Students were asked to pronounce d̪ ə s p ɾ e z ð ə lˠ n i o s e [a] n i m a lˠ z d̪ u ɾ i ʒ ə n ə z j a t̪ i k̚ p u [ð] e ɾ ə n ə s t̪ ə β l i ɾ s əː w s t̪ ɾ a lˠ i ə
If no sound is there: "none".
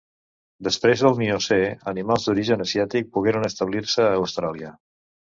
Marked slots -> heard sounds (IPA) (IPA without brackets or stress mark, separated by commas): ə, ɣ